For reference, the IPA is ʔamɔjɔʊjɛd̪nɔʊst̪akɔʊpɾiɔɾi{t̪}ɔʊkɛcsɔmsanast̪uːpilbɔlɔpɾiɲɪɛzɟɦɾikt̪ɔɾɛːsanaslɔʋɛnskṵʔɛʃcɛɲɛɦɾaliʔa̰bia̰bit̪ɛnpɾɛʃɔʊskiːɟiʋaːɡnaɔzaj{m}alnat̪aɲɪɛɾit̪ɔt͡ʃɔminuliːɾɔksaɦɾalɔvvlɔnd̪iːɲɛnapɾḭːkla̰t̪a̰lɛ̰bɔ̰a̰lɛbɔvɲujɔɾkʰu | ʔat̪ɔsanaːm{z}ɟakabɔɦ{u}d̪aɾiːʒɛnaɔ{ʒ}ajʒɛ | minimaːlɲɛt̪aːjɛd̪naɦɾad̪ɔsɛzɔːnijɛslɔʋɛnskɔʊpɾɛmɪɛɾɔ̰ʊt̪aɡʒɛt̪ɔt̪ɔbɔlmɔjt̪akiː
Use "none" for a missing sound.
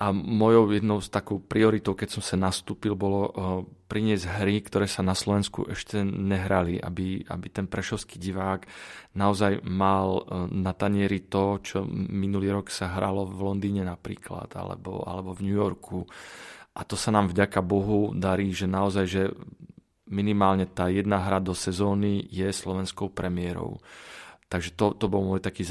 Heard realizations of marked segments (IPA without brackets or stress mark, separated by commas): t̪, m, v, u, z